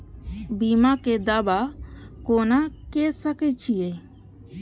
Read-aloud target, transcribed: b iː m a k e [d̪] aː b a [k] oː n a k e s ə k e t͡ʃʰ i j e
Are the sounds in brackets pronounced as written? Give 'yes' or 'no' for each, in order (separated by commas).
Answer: yes, yes